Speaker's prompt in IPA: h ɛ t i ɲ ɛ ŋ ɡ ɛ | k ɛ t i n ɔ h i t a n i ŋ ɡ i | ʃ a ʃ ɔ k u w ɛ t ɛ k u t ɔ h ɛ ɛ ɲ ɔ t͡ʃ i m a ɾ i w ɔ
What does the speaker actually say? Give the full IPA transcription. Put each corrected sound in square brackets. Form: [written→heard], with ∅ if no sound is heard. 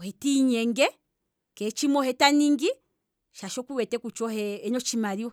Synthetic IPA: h ɛ t i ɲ ɛ ŋ ɡ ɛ | k ɛ [t→t͡ʃ] i [n→m] ɔ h [i→ɛ] t a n i ŋ ɡ i | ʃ a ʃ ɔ k u w ɛ t ɛ k u [t→t͡ʃ] ɔ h ɛ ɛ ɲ ɔ t͡ʃ i m a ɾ i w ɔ